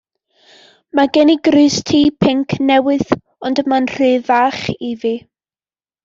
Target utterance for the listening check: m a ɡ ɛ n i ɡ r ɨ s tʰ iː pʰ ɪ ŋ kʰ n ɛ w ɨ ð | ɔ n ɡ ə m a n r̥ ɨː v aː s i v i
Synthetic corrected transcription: m a ɡ ɛ n i ɡ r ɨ s tʰ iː pʰ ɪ ŋ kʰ n ɛ w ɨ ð | ɔ n d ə m a n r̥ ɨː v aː χ i v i